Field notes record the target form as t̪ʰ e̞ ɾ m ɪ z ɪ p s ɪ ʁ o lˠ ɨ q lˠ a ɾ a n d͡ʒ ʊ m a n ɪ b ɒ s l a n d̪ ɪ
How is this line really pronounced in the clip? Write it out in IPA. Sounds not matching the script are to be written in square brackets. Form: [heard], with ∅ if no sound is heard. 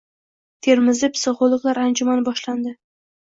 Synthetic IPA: t̪ʰ e̞ ɾ m ɪ z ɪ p s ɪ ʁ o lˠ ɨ q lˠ a ɾ a n d͡ʒ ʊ m a n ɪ b ɒ [ʃ] l a n d̪ ɪ